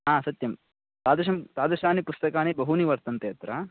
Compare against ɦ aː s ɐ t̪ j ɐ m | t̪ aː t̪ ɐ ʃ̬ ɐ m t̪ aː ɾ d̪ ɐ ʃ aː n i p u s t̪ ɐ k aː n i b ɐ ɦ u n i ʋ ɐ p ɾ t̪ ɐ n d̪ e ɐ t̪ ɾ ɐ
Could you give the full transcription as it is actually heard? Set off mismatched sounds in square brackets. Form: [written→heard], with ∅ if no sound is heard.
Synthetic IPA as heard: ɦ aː s ɐ t̪ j ɐ m | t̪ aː [t̪→d̪] ɐ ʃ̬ ɐ m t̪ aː [ɾ→∅] d̪ ɐ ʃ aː n i p u s t̪ ɐ k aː n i b ɐ ɦ u n i ʋ ɐ [p→∅] ɾ t̪ ɐ n [d̪→t̪] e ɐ t̪ ɾ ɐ